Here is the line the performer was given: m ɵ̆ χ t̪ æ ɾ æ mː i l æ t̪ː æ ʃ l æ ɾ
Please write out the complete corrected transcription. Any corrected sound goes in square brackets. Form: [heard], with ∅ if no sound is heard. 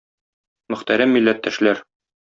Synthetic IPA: m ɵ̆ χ t̪ æ ɾ æ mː i [lː] æ t̪ː æ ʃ l æ ɾ